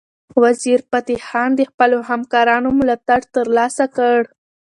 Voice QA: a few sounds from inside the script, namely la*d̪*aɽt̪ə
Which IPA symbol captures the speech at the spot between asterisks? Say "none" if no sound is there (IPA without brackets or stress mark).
t̪